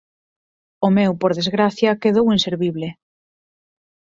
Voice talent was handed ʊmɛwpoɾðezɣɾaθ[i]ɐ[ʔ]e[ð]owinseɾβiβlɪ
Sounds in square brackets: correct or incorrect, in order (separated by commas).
incorrect, incorrect, correct